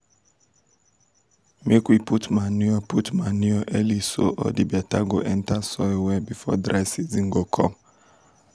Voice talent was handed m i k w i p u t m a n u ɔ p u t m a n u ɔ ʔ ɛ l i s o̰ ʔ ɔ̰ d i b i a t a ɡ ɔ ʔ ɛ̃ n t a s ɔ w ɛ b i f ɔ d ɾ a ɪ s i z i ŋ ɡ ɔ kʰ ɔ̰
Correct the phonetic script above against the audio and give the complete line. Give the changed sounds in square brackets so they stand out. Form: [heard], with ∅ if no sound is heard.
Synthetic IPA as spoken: m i k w i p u t m a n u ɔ p u t m a n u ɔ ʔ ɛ l i s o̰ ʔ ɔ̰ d i b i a t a ɡ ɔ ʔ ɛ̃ n t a s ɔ w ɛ b i f ɔ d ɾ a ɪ s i z i ŋ ɡ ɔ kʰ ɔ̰